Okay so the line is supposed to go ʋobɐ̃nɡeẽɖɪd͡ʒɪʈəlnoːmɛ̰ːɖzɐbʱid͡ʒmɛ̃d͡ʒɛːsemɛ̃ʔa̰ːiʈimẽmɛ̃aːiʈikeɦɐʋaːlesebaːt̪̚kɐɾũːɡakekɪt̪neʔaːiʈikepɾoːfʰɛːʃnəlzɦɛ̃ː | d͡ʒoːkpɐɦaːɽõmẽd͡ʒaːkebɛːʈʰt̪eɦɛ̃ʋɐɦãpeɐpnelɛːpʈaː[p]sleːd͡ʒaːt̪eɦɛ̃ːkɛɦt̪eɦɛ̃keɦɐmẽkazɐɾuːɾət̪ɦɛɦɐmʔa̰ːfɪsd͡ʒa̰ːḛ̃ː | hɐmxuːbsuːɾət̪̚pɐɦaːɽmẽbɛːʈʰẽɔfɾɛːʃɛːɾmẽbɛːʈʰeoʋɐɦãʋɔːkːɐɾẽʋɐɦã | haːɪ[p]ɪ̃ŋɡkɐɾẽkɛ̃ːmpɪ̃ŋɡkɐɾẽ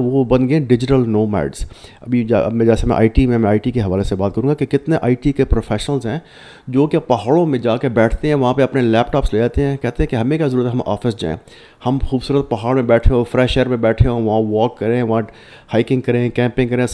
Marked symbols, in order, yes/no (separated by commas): yes, no